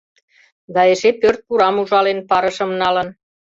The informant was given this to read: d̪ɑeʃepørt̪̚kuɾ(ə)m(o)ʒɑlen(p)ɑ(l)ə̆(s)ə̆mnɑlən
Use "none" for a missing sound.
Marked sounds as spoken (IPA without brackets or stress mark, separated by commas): ɑ, u, p, ɾ, ʃ